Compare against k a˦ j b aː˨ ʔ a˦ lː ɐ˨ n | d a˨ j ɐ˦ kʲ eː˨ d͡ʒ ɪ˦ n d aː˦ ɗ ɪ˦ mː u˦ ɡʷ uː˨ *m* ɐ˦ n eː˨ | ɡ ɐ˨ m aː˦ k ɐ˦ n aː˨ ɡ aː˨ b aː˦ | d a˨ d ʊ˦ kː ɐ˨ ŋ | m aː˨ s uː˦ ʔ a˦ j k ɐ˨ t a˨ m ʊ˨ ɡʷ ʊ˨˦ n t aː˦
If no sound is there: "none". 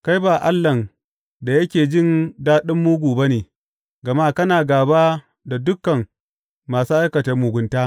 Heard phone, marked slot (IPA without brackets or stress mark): b